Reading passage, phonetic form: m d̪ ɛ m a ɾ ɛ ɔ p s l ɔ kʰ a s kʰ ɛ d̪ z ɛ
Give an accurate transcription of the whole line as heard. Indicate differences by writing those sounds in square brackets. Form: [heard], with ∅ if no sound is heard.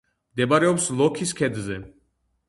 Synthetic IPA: m d̪ ɛ [b] a ɾ ɛ ɔ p s l ɔ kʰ [i] s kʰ ɛ d̪ z ɛ